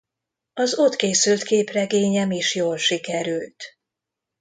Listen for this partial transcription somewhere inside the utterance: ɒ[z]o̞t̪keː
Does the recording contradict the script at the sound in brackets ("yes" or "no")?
no